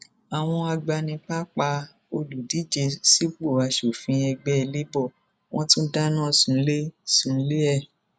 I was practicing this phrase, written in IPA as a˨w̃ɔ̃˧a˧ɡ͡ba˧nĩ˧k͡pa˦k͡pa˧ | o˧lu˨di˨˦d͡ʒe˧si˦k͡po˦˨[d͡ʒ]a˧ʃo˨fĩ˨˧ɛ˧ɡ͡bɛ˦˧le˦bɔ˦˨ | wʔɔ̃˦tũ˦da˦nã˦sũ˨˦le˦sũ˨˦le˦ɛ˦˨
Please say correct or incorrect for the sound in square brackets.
incorrect